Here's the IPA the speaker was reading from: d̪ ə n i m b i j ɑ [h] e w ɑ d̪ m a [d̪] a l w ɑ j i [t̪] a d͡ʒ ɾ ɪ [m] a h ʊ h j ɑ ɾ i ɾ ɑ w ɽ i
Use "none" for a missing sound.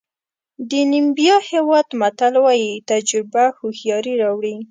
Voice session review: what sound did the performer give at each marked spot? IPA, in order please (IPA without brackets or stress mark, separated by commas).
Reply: h, t̪, t̪, b